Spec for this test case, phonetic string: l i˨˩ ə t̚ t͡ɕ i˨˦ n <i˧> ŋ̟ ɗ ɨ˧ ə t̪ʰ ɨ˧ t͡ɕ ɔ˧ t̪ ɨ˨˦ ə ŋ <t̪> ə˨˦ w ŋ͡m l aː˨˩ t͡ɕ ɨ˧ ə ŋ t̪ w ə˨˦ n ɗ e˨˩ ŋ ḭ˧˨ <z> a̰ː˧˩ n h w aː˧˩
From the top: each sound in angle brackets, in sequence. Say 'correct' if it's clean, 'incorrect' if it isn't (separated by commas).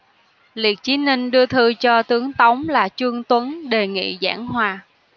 correct, correct, correct